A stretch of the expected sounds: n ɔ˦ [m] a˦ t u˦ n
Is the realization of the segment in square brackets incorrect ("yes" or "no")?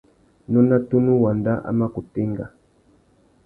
yes